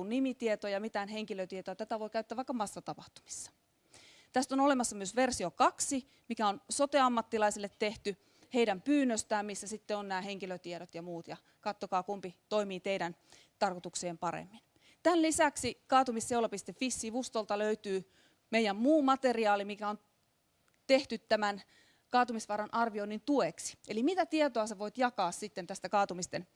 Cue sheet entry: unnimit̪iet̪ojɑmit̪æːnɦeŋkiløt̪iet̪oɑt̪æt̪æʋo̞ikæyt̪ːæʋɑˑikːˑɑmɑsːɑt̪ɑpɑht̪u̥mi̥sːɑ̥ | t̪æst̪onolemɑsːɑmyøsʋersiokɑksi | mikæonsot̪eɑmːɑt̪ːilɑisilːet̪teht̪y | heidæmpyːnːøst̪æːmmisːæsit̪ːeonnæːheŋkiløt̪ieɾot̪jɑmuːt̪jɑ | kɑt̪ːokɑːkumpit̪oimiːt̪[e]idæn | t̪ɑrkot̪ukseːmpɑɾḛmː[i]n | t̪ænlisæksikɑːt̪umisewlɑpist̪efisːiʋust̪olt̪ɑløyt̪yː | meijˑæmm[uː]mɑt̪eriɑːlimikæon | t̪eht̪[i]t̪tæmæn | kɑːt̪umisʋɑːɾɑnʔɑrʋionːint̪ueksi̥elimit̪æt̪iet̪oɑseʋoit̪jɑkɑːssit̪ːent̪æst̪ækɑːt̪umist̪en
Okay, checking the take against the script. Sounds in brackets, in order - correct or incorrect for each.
correct, correct, correct, incorrect

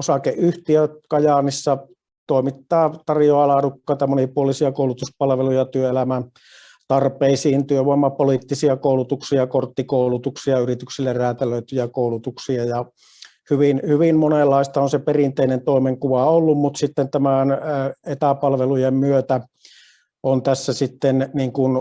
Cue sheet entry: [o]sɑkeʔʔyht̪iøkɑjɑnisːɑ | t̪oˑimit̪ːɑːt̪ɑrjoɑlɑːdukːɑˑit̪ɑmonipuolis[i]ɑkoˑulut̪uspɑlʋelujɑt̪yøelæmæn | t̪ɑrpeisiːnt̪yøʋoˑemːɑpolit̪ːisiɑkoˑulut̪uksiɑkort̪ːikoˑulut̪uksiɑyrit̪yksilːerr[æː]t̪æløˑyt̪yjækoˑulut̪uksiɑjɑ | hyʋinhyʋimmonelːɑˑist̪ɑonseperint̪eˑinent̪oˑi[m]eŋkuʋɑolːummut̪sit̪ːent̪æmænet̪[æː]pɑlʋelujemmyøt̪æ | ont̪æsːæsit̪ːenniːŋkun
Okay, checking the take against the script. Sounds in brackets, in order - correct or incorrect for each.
correct, correct, correct, correct, incorrect

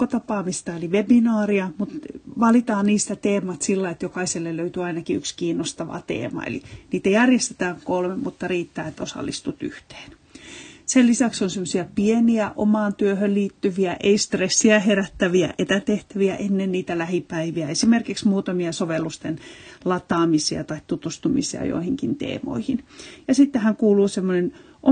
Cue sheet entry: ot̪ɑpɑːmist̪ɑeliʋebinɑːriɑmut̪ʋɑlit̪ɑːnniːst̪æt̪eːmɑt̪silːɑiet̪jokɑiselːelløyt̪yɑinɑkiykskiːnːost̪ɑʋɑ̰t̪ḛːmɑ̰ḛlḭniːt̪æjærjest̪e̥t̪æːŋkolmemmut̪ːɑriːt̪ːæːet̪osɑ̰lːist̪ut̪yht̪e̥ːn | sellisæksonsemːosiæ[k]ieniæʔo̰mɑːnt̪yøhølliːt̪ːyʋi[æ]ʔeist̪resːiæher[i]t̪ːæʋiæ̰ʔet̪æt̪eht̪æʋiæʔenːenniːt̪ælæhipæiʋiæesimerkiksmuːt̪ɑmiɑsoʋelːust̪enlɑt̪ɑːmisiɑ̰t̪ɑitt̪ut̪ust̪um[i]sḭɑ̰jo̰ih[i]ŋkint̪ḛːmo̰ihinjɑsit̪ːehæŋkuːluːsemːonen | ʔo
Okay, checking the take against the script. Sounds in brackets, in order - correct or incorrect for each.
incorrect, correct, incorrect, correct, correct

